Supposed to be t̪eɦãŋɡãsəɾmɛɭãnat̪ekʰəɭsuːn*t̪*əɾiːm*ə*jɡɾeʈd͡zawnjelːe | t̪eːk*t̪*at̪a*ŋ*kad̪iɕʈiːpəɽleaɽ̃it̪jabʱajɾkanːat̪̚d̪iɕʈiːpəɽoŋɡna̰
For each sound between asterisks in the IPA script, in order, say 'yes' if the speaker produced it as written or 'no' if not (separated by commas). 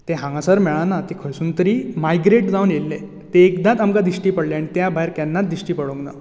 yes, no, no, no